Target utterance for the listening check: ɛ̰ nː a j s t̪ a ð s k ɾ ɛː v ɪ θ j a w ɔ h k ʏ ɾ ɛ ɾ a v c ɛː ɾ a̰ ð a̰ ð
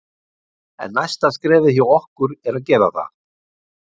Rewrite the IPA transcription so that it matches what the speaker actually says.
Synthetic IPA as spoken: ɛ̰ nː a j s t̪ a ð s k ɾ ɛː v ɪ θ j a w ɔ h k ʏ ɾ ɛ ɾ a ð c ɛː ɾ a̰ θ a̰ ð

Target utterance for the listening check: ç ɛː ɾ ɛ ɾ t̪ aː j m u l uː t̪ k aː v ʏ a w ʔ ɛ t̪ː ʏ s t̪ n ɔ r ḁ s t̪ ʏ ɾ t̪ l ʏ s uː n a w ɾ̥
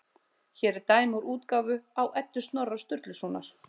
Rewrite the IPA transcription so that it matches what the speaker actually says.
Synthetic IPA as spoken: ç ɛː ɾ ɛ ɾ t̪ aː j m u ɾ uː t̪ k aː v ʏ a w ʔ ɛ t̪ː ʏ s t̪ n ɔ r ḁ s t̪ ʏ ɾ t̪ l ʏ s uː n a ɾ̥

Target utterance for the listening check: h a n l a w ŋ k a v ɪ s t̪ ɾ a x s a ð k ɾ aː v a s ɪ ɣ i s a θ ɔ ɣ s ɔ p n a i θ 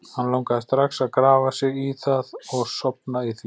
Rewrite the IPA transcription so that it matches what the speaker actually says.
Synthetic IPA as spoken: h a n l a w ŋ k a ð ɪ s t̪ ɾ a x s a ð k ɾ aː v a s ɪ ɣ i θ a ð ɔ ɣ s ɔ p n a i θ

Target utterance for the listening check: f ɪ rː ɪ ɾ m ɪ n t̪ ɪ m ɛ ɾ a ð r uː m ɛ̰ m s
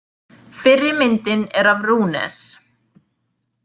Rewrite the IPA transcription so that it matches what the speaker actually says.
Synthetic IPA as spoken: f ɪ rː ɪ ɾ m ɪ n t̪ ɪ n ɛ ɾ a v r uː n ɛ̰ s

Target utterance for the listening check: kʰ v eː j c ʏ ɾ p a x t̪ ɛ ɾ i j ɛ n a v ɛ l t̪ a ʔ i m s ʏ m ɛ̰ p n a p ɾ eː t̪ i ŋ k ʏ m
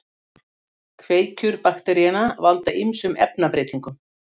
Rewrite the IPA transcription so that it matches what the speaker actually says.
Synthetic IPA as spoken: kʰ v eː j c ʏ ɾ p a x t̪ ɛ ɾ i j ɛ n a v a l t̪ a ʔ i m s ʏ m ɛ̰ p n a p ɾ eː t̪ i ŋ k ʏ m

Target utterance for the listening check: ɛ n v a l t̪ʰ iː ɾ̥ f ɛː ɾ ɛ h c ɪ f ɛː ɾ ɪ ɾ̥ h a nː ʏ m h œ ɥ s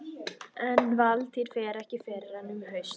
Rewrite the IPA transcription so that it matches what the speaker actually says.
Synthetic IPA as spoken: ɛ n v a l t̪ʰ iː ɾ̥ f ɛː ɾ ɛ h c ɪ f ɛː ɾ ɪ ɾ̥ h a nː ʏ m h œ ɥ s

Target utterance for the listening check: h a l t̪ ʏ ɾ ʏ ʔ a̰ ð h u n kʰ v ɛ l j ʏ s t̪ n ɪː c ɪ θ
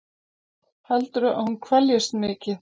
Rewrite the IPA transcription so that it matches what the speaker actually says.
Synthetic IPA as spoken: h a l t̪ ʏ ɾ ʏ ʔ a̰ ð h u n kʰ v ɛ l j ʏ s t̪ m ɪː c ɪ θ

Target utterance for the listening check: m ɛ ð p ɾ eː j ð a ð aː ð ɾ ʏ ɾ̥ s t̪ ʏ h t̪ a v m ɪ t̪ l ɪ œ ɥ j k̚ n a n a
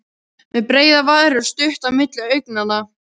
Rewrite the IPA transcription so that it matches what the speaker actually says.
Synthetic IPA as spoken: m ɛ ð p ɾ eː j ð a v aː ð ɾ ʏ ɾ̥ s t̪ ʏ h t̪ a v m ɪ t̪ l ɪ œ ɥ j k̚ n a n a

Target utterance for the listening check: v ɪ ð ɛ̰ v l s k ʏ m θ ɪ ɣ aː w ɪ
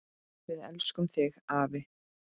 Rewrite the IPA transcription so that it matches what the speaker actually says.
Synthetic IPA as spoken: v ɪ ð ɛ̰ l s k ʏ m θ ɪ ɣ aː v ɪ

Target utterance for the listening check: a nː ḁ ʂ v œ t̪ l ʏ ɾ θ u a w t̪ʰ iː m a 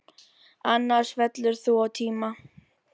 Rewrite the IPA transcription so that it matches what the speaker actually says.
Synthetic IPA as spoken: a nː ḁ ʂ v ɛ t̪ l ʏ ɾ θ u a w t̪ʰ iː m a

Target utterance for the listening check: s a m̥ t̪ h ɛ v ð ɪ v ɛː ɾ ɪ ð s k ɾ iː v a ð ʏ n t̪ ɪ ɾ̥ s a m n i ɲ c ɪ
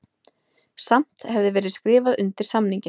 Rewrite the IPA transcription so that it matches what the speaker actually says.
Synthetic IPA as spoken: s a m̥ t̪ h ɛ v ð ɪ v ɛː ɾ ɪ ð s k ɾ ɪː v a ð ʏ n t̪ ɪ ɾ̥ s a m n i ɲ c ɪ

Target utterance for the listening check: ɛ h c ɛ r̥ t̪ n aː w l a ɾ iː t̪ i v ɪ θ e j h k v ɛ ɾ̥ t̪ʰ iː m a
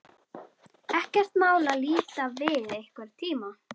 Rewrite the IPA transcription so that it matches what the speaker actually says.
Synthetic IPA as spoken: ɛ h c ɛ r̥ t̪ m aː w l a l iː t̪ a v ɪ ð e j h k v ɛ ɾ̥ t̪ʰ iː m a

